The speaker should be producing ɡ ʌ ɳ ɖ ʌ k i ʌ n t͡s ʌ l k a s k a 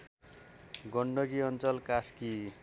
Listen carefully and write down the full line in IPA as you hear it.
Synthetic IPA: ɡ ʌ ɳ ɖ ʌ ɡ i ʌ n t͡s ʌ l k a s k i